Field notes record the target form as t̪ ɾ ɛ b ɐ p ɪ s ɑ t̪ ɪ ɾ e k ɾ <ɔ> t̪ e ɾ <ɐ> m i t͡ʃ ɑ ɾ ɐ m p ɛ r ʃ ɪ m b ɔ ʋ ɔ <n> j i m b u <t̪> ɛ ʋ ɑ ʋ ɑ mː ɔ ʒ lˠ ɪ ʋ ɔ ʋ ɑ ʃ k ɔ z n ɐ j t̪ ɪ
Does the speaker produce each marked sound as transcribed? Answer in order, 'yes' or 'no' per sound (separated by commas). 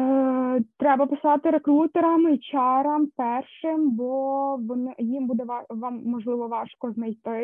no, yes, yes, no